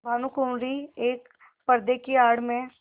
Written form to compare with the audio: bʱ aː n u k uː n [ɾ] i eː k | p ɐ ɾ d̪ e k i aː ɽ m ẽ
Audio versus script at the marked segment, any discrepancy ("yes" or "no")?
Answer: no